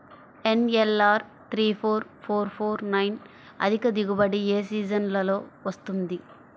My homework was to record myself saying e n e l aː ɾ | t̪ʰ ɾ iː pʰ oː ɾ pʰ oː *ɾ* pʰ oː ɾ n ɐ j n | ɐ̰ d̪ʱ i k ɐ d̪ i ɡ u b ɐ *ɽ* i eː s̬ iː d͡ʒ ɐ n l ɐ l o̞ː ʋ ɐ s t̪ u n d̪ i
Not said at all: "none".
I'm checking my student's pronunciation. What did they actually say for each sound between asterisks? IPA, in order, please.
ɾ, ɽ

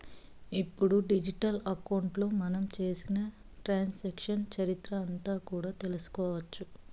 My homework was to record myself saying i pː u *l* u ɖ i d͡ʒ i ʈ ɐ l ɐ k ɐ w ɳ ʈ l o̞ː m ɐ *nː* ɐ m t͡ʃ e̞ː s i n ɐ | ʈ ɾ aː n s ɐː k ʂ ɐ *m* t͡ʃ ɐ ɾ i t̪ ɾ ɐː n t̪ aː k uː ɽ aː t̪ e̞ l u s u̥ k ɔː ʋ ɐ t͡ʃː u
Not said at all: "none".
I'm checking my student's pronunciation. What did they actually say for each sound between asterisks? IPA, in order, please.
ɽ, n, n

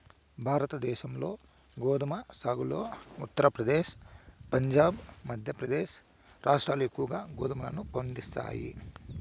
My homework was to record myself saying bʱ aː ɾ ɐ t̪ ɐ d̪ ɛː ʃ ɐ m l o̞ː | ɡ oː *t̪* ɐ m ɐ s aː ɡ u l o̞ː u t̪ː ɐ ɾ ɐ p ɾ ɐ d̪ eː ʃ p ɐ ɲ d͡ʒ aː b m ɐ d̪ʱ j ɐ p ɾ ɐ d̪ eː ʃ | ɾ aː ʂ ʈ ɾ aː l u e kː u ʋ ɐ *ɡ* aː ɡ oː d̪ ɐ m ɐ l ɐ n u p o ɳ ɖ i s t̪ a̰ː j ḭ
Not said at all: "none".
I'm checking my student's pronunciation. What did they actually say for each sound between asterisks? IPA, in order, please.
d̪, ɡ

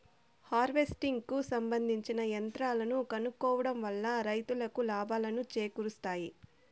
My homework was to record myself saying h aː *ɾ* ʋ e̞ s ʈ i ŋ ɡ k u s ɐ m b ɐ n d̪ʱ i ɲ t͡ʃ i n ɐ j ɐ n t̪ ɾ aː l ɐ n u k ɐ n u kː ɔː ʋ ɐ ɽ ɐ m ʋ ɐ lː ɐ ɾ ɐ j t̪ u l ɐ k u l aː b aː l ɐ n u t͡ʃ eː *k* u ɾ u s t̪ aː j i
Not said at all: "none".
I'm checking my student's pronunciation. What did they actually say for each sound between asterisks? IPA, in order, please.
ɾ, k

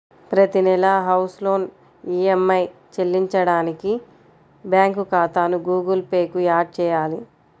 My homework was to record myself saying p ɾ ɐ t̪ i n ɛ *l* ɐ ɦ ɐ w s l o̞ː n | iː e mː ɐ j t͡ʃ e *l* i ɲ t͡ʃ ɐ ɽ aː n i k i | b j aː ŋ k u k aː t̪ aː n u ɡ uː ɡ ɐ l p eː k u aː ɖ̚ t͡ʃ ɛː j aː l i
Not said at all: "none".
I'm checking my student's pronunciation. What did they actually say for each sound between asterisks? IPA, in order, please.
l, lː

